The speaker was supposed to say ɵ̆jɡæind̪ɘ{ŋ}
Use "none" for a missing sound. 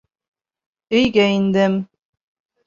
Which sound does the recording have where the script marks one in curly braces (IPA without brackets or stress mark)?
m